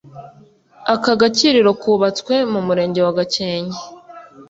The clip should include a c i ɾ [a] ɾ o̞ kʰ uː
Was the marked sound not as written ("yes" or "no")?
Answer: yes